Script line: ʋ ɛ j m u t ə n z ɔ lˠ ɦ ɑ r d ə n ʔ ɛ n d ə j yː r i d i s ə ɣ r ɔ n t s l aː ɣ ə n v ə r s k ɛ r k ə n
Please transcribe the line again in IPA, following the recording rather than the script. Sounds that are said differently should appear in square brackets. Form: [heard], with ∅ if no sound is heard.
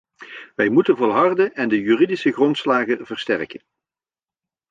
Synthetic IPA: ʋ ɛ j m u t ə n [v] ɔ lˠ ɦ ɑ r d ə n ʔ ɛ n d ə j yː r i d i s ə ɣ r ɔ n t s l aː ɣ ə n v ə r s [t] ɛ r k ə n

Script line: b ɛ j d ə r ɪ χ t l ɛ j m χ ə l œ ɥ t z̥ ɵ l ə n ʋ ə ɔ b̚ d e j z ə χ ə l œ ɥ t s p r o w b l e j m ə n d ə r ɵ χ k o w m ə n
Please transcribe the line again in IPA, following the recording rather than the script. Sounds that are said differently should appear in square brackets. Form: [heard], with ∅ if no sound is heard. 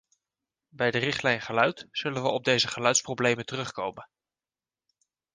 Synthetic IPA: b ɛ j d ə r ɪ χ t l ɛ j [n] χ ə l œ ɥ t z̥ ɵ l ə n ʋ ə ɔ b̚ d e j z ə χ ə l œ ɥ t s p r o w b l e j m ə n [t] ə r ɵ χ k o w m ə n

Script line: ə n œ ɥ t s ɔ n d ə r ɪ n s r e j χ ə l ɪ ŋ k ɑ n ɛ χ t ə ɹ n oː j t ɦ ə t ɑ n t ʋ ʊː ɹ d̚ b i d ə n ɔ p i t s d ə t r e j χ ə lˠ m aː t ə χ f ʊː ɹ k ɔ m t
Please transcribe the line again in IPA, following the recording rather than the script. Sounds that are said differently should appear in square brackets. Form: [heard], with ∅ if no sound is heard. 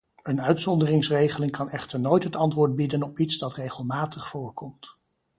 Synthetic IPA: ə n œ ɥ t s ɔ n d ə r ɪ [ŋ] s r e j χ ə l ɪ ŋ k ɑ n ɛ χ t ə ɹ n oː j t ɦ ə t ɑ n t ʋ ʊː ɹ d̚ b i d ə n ɔ p i t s d [ɑ] t r e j χ ə lˠ m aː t ə χ f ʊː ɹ k ɔ m t

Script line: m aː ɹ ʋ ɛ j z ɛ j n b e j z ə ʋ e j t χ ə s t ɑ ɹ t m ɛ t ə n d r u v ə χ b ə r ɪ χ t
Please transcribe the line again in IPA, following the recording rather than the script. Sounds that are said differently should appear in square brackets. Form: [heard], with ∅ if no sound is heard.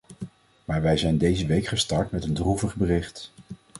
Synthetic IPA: m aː ɹ ʋ ɛ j z ɛ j n [d] e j z ə ʋ e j [k] χ ə s t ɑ ɹ t m ɛ t ə n d r u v ə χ b ə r ɪ χ t

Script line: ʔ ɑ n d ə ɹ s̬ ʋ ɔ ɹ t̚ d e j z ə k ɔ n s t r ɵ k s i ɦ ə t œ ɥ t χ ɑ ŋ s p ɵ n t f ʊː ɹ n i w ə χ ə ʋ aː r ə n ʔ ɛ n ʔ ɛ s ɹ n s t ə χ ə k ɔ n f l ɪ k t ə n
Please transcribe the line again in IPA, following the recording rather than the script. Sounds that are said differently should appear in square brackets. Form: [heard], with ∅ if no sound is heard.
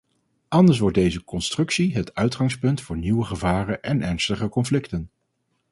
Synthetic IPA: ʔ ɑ n d ə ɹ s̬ ʋ ɔ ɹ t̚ d e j z ə k ɔ n s t r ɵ k s i ɦ ə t œ ɥ t χ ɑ ŋ s p ɵ n t f ʊː ɹ n i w ə χ ə [v] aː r ə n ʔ ɛ n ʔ ɛ [∅] ɹ n s t ə χ ə k ɔ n f l ɪ k t ə n

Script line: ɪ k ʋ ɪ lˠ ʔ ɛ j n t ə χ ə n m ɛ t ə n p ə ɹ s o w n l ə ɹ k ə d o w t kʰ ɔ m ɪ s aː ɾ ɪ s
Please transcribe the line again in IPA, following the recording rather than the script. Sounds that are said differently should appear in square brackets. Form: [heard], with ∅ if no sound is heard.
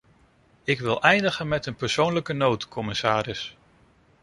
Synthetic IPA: ɪ k ʋ ɪ lˠ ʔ ɛ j n [d] ə χ ə n m ɛ t ə n p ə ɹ s o w n l ə [∅] k ə [n] o w t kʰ ɔ m ɪ s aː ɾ ɪ s

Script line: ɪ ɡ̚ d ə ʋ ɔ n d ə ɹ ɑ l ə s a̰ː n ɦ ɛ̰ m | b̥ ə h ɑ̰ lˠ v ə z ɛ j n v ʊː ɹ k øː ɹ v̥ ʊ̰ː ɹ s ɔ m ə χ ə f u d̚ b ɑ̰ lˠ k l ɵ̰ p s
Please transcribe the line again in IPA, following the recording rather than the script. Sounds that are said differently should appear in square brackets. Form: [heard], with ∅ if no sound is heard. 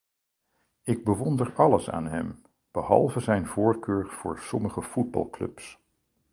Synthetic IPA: ɪ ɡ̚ [b] ə ʋ ɔ n d ə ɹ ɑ l ə s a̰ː n ɦ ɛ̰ m | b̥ ə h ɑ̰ lˠ v ə z ɛ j n v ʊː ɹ k øː ɹ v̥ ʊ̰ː ɹ s ɔ m ə χ ə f u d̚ b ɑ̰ lˠ k l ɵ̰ p s

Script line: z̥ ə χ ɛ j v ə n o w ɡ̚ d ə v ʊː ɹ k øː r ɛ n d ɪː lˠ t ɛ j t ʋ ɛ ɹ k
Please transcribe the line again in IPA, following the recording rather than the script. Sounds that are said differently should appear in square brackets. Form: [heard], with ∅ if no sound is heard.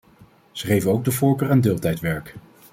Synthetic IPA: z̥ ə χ [e] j v ə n o w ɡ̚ d ə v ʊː ɹ k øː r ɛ n d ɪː lˠ t ɛ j t ʋ ɛ ɹ k

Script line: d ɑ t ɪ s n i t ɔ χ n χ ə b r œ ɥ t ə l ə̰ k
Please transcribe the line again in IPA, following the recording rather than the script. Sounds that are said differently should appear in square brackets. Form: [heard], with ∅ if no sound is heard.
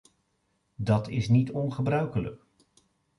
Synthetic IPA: d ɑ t ɪ s n i t ɔ [∅] n χ ə b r œ ɥ [k] ə l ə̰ k

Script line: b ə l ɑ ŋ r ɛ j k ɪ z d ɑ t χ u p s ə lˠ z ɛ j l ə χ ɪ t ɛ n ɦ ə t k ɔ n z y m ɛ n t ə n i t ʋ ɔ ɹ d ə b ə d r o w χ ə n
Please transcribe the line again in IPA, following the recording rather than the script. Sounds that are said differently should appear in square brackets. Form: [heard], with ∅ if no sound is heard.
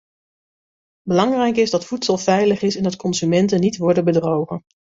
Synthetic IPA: b ə l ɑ ŋ r ɛ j k ɪ z d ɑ t [f] u [t] s ə lˠ [v] ɛ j l ə χ ɪ [s] ɛ n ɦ ə t k ɔ n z y m ɛ n t ə n i t ʋ ɔ ɹ d ə b ə d r o w χ ə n

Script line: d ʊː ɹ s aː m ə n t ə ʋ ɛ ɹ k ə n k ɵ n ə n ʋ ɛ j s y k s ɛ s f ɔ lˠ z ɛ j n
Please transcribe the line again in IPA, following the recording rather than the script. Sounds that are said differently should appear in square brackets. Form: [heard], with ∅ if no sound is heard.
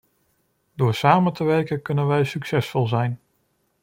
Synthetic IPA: d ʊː ɹ s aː m ə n t ə ʋ ɛ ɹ k ə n k ɵ n ə n ʋ ɛ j s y k s ɛ s f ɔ lˠ z ɛ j n

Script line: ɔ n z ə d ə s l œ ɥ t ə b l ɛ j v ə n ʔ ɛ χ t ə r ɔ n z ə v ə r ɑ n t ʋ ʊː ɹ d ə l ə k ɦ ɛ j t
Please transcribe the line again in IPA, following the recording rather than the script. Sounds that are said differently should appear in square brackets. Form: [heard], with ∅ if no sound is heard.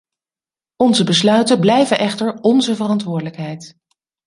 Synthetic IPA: ɔ n z ə [b] ə s l œ ɥ t ə b l ɛ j v ə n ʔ ɛ χ t ə [ɹ] ɔ n z ə v ə r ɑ n t ʋ ʊː ɹ d ə l ə k ɦ ɛ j t

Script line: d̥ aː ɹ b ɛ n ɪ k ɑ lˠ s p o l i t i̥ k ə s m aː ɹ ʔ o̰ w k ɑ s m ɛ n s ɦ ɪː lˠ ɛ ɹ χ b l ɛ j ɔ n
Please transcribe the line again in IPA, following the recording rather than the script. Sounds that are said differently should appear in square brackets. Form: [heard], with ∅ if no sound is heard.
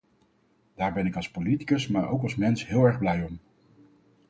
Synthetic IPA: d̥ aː ɹ b ɛ n ɪ k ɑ lˠ s p o l i t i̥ k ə s m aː ɹ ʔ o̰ w k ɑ s m ɛ n s ɦ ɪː lˠ ɛ ɹ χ b l ɛ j ɔ [m]

